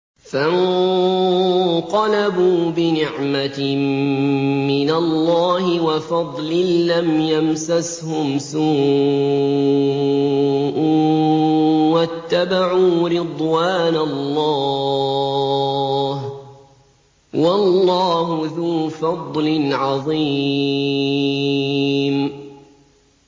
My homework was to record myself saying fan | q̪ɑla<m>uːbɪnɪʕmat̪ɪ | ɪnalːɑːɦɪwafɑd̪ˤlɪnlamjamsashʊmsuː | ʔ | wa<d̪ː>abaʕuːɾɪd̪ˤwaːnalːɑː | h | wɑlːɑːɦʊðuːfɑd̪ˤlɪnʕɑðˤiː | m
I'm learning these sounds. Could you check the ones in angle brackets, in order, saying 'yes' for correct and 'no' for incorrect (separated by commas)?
no, no